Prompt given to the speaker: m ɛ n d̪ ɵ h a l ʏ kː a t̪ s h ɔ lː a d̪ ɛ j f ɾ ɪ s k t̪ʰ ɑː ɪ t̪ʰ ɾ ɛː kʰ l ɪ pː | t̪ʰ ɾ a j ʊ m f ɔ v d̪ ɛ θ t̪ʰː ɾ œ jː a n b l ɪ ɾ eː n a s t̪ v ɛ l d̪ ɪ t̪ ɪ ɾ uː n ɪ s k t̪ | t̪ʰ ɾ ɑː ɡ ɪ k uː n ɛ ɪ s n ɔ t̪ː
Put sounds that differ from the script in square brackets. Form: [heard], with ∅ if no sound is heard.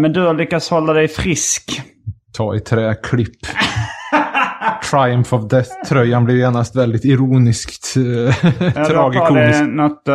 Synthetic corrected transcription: m ɛ n d̪ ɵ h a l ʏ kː a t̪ s h ɔ lː a d̪ ɛ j f ɾ ɪ s k t̪ʰ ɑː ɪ t̪ʰ ɾ ɛː kʰ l ɪ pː | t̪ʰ ɾ a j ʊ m f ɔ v d̪ ɛ θ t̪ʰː ɾ œ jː a n b l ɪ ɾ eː n a s t̪ v ɛ l d̪ ɪ t̪ ɪ ɾ uː n ɪ s k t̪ | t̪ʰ ɾ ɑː ɡ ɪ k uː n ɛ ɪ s n ɔ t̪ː